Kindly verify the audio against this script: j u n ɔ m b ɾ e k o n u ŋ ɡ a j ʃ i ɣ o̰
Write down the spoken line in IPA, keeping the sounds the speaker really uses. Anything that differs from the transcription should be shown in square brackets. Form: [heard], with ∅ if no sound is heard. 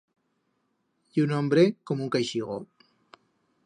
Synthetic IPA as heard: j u n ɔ m b ɾ e k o [m] u ŋ [k] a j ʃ i ɣ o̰

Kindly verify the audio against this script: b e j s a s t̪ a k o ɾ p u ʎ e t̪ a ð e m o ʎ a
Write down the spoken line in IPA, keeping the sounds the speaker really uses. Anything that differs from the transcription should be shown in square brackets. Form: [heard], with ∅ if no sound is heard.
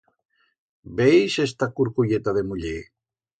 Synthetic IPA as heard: b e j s [e] s t̪ a k [u] ɾ [k] u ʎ e t̪ a ð e m [u] ʎ [e]

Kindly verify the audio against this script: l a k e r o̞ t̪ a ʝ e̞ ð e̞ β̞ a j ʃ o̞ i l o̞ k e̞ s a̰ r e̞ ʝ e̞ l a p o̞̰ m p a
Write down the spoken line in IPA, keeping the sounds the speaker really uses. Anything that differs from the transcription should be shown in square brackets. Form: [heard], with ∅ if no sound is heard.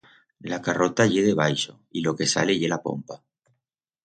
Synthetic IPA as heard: l a k [a] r o̞ t̪ a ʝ e̞ ð e̞ β̞ a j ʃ o̞ i l o̞ k e̞ s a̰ [l] e̞ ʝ e̞ l a p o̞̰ m p a

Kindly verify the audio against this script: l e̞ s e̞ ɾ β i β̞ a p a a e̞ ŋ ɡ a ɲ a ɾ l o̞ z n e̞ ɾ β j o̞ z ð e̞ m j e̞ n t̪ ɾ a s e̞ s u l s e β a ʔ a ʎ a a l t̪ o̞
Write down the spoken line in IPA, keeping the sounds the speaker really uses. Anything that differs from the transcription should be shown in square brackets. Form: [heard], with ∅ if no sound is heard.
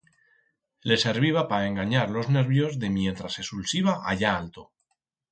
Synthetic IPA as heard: l e̞ s e̞ ɾ β i β̞ a p a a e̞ ŋ ɡ a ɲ a ɾ l o̞ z n e̞ ɾ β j o̞ z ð e̞ m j e̞ n t̪ ɾ a s e̞ s u l s [i] β a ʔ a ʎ a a l t̪ o̞

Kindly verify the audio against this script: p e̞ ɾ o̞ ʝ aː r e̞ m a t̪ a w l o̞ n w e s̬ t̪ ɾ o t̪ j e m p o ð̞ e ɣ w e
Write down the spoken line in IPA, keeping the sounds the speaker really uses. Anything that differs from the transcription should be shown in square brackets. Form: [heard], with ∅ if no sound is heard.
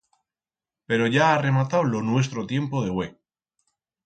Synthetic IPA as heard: p e̞ ɾ o̞ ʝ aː r e̞ m a t̪ a w l o̞ n w e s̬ t̪ ɾ o t̪ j e m p o ð̞ e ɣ w e

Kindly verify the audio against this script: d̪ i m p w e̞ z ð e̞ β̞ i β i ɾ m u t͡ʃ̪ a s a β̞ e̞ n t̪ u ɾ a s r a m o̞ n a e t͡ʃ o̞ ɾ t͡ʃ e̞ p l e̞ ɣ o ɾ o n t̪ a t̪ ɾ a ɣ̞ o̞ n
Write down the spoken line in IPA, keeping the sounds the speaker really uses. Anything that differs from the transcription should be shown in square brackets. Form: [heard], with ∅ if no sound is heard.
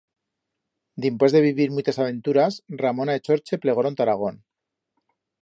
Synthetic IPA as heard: d̪ i m p w e̞ z ð e̞ β̞ i β i ɾ m u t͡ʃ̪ a s a β̞ e̞ n t̪ u ɾ a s r a m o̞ n a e t͡ʃ o̞ ɾ t͡ʃ e̞ p l e̞ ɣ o ɾ o n t̪ a [∅] ɾ a ɣ̞ o̞ n

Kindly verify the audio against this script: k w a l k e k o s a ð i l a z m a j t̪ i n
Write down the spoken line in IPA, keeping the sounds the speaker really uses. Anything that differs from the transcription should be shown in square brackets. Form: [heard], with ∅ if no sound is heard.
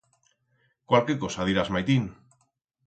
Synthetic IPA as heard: k w a l k e k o s a ð i [ɾ] a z m a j t̪ i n

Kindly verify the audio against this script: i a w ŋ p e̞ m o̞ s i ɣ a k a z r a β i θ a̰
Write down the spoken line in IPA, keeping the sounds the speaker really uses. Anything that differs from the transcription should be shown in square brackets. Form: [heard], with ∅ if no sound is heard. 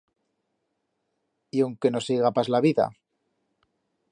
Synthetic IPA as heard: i a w ŋ [k] e̞ [n] o̞ s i ɣ a [p] a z [l] a β i [ð] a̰

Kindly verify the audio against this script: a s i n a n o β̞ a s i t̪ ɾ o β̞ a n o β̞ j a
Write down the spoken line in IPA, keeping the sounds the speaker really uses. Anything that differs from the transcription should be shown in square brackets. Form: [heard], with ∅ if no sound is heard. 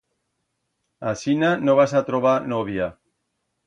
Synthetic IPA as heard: a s i n a n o β̞ a s [a] t̪ ɾ o β̞ a n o β̞ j a

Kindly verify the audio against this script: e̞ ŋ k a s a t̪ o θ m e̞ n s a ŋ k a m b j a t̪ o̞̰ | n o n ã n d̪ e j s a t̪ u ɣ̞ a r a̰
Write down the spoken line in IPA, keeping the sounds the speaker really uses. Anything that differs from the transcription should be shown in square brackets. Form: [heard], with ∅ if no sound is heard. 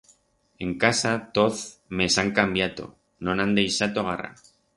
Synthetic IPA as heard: e̞ ŋ k a s a t̪ o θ m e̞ [∅] s a ŋ k a m b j a t̪ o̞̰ | n o n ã n d̪ e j s a t̪ [o] ɣ̞ a r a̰

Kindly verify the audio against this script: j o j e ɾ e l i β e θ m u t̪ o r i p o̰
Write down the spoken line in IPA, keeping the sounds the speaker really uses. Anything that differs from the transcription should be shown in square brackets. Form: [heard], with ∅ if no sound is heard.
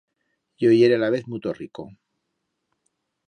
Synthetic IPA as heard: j o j e ɾ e l [a] β e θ m u t̪ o r i [k] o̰

